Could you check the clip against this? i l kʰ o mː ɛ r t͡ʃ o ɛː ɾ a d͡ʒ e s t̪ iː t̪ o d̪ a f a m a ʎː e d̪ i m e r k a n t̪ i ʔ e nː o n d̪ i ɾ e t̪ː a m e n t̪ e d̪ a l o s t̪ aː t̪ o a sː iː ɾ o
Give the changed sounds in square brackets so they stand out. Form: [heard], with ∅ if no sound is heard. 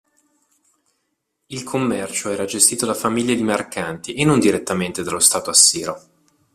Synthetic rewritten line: i l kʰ o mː ɛ r t͡ʃ o ɛː ɾ a d͡ʒ e s t̪ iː t̪ o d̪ a f a m [i] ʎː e d̪ i m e r k a n t̪ i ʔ e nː o n d̪ i ɾ e t̪ː a m e n t̪ e d̪ a l o s t̪ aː t̪ o a sː iː ɾ o

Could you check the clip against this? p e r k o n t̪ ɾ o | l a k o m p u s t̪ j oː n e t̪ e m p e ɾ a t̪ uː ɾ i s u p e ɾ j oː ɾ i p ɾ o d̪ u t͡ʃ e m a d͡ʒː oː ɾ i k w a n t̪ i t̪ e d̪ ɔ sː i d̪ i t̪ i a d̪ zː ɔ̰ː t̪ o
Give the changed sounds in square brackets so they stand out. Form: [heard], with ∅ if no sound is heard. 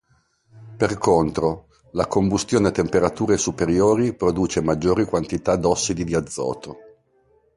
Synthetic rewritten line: p e r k o n t̪ ɾ o | l a k o m [b] u s t̪ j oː n e t̪ e m p e ɾ a t̪ uː ɾ [e] s u p e ɾ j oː ɾ i p ɾ o d̪ [uː] t͡ʃ e m a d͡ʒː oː ɾ i k w a n t̪ i t̪ [a] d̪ ɔ sː i d̪ i [d̪] i a d̪ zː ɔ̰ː t̪ o

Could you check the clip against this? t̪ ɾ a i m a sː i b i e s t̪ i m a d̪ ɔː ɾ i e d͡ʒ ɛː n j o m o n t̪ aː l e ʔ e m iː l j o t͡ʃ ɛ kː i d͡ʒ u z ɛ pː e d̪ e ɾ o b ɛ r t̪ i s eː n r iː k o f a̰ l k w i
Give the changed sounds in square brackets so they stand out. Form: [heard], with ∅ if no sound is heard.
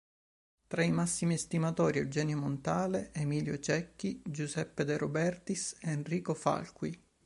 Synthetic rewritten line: t̪ ɾ a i m a sː i [m] i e s t̪ i m a [t̪] ɔː ɾ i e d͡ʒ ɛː n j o m o n t̪ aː l e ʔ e m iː l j o t͡ʃ ɛ kː i d͡ʒ u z ɛ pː e d̪ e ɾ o b ɛ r t̪ i s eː n r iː k o f a̰ l k w i

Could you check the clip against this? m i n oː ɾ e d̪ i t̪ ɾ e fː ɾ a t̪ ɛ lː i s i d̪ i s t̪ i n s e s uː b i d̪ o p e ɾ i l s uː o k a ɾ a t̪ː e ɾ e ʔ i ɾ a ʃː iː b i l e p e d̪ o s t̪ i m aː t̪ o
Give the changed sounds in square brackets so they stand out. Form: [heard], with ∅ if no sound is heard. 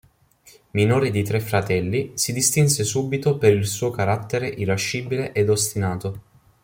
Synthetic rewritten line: m i n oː ɾ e d̪ i t̪ ɾ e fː ɾ a t̪ ɛ lː i s i d̪ i s t̪ i n s e s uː b i [t̪] o p e ɾ i l s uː o k a ɾ a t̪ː e ɾ e ʔ i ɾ a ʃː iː b i l e [ʔ] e d̪ o s t̪ i [n] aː t̪ o

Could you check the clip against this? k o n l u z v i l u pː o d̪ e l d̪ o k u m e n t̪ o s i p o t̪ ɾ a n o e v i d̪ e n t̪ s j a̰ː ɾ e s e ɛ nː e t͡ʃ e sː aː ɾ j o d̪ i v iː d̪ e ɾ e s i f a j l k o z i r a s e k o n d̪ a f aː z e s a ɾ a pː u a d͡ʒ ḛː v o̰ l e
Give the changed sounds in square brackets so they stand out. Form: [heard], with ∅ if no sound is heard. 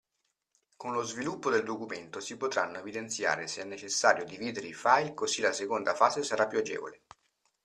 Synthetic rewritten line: k o n l [o] z v i l u pː o d̪ e l d̪ o k u m e n t̪ o s i p o t̪ ɾ a [nː] o e v i d̪ e n t̪ s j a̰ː ɾ e s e ɛ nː e t͡ʃ e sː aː ɾ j o d̪ i v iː d̪ e ɾ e [∅] i f a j l k o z i [l] a s e k o n d̪ a f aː z e s a ɾ a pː u a d͡ʒ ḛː v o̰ l e

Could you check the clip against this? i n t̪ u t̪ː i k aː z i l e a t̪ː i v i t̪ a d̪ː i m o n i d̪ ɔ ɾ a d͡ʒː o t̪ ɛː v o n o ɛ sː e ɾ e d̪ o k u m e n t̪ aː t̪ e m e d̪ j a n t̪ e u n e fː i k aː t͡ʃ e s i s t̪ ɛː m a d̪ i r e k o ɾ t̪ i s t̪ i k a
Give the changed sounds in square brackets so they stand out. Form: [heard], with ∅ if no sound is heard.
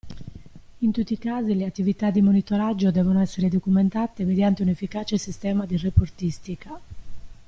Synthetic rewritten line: i n t̪ u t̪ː i k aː z i l e a t̪ː i v i t̪ a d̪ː i m o n i [t̪] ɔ ɾ a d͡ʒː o [d̪] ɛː v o n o ɛ sː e ɾ e d̪ o k u m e n t̪ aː t̪ e m e d̪ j a n t̪ e u n e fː i k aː t͡ʃ e s i s t̪ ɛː m a d̪ i r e [p] o ɾ t̪ i s t̪ i k a

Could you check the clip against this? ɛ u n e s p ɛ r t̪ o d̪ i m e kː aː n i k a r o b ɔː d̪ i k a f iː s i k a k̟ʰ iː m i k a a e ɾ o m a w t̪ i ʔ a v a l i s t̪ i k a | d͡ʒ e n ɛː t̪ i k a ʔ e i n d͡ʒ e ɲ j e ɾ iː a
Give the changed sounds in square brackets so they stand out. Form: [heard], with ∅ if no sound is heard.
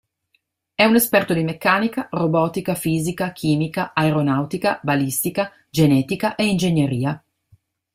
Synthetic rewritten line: ɛ u n e s p ɛ r t̪ o d̪ i m e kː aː n i k a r o b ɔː [t̪] i k a f iː [z] i k a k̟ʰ iː m i k a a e ɾ o [n] a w t̪ i [k] a [b] a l i s t̪ i k a | d͡ʒ e n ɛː t̪ i k a ʔ e i n d͡ʒ e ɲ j e ɾ iː a

